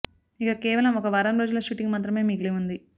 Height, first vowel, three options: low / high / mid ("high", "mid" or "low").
high